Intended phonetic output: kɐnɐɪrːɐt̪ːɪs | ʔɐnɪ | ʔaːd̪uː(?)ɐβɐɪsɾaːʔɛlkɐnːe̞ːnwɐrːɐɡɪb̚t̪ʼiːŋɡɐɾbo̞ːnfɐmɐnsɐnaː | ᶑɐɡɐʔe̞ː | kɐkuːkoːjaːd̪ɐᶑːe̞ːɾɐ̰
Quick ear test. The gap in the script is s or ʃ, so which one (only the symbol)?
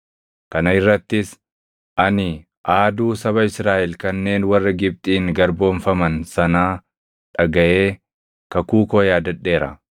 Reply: s